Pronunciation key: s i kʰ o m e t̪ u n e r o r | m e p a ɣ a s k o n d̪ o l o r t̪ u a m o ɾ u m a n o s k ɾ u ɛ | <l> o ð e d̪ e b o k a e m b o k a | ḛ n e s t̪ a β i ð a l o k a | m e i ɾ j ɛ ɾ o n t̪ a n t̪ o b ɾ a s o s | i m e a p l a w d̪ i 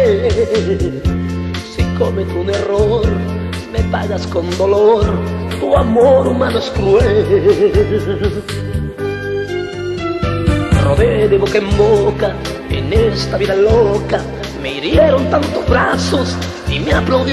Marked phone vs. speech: incorrect: r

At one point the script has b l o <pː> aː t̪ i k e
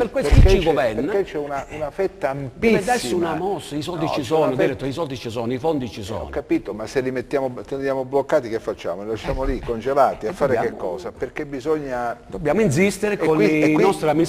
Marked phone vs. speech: incorrect: kː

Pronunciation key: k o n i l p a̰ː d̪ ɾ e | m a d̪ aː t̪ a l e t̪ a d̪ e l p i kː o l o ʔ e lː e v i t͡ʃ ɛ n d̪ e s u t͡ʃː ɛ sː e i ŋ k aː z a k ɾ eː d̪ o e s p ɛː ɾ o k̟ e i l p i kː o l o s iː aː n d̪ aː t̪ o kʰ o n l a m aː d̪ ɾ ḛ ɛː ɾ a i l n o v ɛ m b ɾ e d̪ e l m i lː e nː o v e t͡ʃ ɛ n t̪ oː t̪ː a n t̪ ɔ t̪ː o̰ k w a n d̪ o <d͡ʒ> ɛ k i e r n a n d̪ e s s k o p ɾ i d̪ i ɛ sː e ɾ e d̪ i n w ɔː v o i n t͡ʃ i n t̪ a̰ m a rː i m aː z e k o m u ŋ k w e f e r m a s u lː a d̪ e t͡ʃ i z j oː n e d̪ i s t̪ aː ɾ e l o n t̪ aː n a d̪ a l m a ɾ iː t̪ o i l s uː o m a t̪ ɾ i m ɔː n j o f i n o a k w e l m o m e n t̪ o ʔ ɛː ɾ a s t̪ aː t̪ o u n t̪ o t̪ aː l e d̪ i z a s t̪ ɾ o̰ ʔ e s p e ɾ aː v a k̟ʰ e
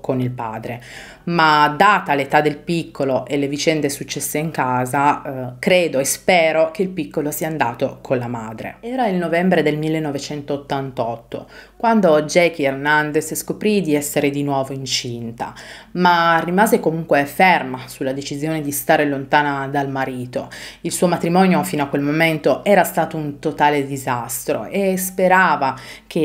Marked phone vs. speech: correct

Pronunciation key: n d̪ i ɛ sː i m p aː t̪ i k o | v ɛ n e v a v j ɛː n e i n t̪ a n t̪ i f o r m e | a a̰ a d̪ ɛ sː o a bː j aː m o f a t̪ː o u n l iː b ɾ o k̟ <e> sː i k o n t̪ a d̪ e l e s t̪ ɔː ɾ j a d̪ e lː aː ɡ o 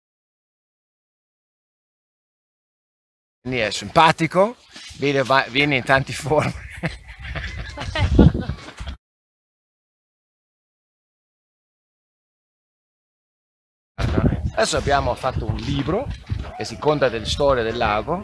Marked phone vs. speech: correct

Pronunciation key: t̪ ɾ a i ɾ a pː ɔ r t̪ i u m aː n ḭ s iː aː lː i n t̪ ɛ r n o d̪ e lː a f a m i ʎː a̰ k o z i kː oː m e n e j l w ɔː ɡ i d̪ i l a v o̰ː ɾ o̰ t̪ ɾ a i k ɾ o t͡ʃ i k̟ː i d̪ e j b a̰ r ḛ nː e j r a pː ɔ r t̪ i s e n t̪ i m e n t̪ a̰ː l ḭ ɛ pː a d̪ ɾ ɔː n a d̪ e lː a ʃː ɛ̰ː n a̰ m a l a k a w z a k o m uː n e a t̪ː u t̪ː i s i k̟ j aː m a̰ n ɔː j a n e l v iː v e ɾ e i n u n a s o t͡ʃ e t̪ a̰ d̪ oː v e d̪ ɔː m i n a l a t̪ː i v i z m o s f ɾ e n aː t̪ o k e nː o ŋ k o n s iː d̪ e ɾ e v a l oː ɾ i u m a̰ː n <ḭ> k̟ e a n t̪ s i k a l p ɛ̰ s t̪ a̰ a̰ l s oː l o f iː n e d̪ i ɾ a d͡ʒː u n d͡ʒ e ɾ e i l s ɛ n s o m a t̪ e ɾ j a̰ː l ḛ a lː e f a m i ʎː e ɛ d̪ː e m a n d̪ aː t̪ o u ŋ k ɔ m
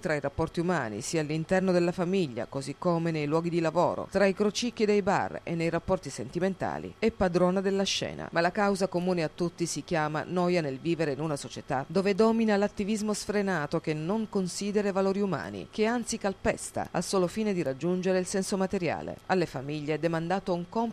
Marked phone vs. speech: correct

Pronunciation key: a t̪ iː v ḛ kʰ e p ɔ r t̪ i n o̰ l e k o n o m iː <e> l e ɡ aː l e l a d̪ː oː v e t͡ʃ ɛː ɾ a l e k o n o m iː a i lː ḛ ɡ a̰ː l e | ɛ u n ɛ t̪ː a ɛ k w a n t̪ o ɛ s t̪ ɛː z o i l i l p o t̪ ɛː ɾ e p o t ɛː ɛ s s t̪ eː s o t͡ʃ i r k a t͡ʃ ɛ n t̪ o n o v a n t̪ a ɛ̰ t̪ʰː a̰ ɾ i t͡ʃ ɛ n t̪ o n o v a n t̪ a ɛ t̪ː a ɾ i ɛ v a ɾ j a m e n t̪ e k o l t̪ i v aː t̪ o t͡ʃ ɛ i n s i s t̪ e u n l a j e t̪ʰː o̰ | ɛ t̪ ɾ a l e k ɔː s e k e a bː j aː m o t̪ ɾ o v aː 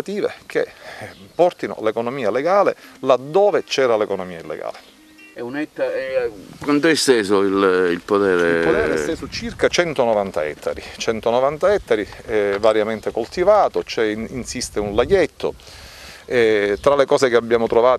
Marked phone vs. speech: incorrect: a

